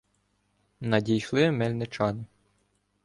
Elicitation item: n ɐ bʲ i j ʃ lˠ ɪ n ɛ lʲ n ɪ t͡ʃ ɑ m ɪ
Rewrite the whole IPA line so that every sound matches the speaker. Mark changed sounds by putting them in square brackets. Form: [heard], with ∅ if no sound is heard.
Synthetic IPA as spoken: n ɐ [dʲ] i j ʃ lˠ ɪ [m] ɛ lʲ n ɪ t͡ʃ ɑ [n] ɪ